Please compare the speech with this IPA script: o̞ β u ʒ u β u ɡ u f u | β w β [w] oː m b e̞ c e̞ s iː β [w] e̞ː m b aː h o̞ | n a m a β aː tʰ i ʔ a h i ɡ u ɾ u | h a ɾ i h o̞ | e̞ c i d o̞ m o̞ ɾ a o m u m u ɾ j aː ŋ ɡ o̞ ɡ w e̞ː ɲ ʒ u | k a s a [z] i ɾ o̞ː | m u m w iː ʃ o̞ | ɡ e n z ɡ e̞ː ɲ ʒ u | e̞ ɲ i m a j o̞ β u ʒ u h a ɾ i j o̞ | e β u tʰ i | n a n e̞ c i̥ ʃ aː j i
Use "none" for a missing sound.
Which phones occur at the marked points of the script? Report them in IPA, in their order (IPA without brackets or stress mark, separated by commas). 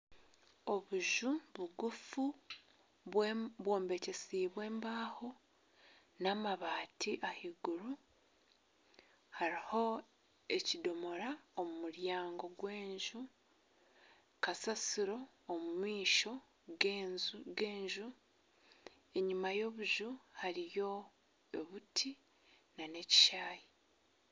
w, w, s